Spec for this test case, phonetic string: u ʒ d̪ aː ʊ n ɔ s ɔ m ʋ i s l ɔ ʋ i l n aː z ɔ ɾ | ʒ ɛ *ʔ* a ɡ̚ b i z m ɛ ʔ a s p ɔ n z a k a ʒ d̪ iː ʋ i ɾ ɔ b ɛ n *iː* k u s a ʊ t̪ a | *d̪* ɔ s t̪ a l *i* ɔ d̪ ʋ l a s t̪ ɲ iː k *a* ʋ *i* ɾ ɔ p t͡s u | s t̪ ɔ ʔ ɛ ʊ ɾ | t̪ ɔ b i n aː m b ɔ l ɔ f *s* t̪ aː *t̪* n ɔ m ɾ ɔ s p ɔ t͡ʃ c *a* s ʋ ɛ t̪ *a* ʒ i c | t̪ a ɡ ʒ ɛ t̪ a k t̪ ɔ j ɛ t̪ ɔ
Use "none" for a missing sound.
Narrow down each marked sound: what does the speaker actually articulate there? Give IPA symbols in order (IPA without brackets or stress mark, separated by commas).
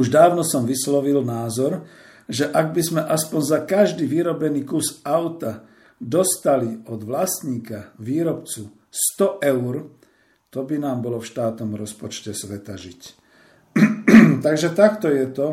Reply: ʔ, iː, d̪, i, a, iː, ʃ, t̪, ɛ, a